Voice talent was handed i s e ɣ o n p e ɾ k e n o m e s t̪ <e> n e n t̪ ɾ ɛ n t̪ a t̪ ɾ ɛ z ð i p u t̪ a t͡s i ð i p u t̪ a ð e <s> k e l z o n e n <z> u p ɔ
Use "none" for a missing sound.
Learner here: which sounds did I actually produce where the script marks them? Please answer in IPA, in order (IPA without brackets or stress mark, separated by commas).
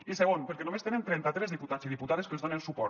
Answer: e, s, s